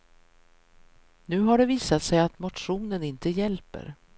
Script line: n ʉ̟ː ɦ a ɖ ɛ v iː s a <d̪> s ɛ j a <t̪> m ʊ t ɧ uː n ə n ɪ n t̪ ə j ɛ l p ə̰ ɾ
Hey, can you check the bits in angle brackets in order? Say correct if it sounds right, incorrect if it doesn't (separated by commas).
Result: incorrect, correct